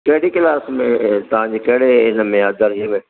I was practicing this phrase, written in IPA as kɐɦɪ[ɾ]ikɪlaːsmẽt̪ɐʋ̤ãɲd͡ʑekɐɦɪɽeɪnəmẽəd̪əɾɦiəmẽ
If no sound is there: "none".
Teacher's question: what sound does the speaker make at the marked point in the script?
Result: ɽ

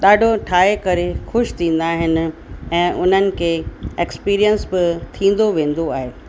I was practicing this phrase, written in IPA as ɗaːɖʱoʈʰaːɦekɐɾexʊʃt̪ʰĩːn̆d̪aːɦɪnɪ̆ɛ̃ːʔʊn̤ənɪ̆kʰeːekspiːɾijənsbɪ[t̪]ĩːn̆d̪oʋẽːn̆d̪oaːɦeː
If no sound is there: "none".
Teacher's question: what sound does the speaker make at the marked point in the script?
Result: t̪ʰ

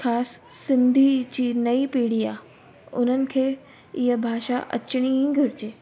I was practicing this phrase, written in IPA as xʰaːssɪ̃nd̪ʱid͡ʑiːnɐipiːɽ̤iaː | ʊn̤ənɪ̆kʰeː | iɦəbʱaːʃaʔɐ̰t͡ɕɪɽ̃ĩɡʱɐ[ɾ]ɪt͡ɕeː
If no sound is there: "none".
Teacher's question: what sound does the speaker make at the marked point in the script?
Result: ɾ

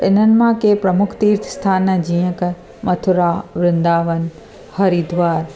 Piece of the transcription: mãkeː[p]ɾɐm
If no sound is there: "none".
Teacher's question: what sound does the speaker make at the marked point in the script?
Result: p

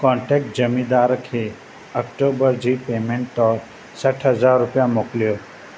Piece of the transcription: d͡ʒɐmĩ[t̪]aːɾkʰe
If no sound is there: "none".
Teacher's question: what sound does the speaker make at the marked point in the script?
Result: d̪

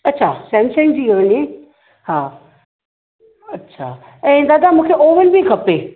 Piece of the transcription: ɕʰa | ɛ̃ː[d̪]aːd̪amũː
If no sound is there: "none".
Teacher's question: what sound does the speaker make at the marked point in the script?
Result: d̪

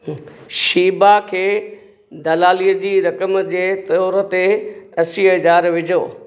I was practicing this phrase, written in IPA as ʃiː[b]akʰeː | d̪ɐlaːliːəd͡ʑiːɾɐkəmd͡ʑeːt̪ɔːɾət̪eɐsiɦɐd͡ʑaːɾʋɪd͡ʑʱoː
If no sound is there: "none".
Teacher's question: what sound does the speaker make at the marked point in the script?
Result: b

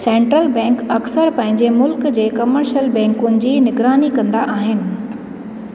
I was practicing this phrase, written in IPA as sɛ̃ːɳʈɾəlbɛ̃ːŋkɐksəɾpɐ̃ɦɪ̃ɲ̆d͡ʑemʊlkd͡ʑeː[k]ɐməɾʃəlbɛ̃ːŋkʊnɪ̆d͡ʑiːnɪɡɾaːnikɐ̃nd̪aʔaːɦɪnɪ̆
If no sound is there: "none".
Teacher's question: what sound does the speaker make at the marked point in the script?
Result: k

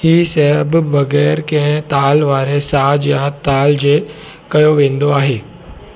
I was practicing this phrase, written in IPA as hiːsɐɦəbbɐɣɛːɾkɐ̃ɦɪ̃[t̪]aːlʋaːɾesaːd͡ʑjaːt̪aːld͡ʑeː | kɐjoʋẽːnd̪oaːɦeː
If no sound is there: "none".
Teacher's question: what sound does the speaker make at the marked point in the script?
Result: t̪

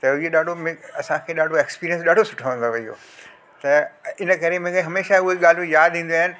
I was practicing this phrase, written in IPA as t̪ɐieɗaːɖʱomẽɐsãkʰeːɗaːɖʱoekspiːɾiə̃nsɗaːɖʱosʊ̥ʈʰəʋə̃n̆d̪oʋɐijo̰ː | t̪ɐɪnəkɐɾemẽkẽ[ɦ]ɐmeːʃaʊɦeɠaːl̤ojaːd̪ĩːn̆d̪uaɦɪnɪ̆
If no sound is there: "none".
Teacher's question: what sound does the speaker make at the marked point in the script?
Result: ɦ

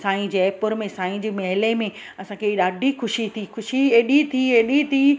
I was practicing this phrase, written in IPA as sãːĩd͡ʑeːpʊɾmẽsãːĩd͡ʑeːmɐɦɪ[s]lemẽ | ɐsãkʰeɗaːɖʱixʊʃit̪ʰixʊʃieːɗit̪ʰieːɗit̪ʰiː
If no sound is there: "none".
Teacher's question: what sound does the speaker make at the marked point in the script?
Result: none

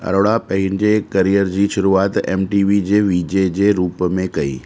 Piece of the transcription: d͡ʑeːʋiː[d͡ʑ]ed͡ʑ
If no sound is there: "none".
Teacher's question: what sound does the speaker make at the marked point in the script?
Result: d͡ʑ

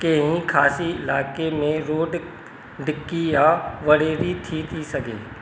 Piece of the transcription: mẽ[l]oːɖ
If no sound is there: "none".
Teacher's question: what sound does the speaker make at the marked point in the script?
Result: ɾ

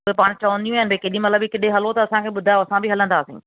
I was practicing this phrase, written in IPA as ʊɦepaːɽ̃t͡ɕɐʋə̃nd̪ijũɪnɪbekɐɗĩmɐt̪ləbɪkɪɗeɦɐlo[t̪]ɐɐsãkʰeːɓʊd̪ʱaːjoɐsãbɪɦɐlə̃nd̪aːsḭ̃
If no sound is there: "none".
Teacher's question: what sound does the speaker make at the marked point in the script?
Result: t̪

